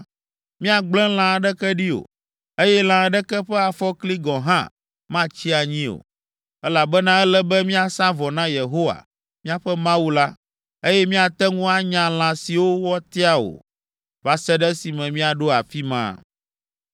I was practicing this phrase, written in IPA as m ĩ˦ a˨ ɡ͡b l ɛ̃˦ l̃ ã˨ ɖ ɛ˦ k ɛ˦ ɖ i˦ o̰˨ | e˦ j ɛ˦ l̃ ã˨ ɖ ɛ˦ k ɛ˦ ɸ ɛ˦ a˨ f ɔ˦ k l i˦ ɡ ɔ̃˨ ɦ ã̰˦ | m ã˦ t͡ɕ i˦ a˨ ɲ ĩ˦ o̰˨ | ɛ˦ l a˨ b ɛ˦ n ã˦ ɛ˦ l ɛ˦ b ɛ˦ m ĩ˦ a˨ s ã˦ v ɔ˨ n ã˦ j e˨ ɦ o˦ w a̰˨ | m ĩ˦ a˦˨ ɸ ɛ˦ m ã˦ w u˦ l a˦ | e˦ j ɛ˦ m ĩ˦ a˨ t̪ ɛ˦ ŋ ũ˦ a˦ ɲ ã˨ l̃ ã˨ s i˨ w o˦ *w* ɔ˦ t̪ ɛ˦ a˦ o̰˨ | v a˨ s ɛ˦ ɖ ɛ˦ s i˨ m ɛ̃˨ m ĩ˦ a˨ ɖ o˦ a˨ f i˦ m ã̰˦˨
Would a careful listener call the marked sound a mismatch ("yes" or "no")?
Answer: no